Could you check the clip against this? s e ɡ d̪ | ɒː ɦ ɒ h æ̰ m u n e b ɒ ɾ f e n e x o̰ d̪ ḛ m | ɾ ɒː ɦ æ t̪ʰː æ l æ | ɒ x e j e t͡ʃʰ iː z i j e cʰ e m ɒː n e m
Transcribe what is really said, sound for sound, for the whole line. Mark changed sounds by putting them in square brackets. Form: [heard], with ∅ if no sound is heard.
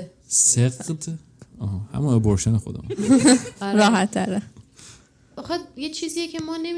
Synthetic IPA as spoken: s e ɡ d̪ | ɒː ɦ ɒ h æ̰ m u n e b [o] ɾ [ʃ] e n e x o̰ d̪ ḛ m | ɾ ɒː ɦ æ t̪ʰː æ [ɾ] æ | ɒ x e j e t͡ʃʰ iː z i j e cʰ e m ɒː n e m